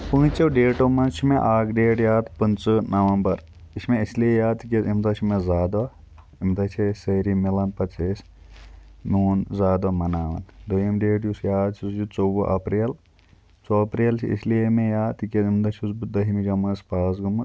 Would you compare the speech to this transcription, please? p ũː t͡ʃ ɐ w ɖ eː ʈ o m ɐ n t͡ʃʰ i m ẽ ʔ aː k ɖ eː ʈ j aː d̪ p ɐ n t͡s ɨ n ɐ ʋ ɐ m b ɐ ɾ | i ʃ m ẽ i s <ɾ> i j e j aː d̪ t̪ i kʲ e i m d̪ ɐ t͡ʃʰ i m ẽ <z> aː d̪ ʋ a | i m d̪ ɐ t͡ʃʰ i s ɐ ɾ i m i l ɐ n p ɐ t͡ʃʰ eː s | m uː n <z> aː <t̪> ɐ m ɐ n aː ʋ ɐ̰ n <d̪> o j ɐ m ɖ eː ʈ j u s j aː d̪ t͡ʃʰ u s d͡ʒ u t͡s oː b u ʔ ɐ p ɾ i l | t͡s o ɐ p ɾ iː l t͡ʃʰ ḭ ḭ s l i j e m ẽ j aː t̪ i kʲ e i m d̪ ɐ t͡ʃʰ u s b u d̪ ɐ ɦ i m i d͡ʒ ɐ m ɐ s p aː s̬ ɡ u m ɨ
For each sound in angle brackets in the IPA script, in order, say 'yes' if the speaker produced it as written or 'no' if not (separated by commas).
no, yes, yes, no, yes